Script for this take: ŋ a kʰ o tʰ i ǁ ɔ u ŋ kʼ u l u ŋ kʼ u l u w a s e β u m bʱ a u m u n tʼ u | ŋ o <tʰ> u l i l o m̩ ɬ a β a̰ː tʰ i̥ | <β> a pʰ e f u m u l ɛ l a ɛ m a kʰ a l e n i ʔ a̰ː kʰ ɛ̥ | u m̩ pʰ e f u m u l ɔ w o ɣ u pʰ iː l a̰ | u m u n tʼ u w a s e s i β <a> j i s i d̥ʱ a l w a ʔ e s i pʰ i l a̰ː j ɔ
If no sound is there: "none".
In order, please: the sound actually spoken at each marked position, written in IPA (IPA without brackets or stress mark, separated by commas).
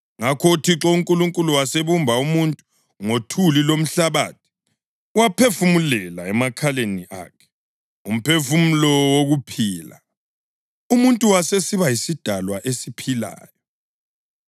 tʰ, w, a